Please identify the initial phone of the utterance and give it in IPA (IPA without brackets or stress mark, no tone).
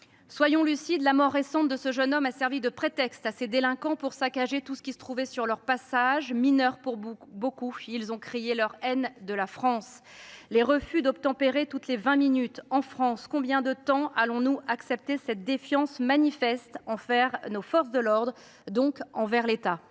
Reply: s